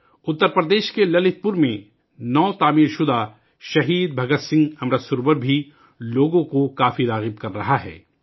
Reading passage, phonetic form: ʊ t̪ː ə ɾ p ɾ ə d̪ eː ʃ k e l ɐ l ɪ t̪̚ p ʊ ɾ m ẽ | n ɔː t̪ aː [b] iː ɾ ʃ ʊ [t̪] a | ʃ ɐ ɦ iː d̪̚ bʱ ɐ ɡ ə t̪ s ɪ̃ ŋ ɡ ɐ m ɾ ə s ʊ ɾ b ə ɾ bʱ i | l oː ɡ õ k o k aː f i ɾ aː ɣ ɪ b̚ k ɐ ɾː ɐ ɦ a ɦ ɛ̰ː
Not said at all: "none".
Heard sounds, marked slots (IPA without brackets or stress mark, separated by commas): m, d̪